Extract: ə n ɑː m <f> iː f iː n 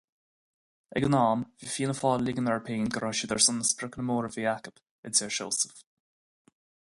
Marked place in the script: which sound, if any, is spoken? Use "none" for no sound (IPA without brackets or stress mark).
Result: v